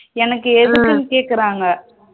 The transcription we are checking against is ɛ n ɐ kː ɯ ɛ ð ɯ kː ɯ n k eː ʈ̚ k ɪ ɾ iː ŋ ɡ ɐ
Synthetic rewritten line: ɛ n ɐ kː ɯ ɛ ð ɯ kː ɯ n k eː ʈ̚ k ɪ ɾ aː ŋ ɡ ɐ